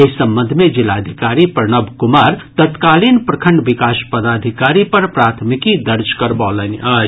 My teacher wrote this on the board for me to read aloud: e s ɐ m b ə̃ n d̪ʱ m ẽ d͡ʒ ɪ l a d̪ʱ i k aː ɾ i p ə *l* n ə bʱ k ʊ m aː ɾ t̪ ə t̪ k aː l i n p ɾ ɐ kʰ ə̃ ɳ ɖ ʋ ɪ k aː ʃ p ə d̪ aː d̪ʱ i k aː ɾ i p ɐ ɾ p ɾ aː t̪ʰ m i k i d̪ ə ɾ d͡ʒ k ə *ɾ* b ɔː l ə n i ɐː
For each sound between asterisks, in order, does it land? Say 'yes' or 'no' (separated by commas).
no, yes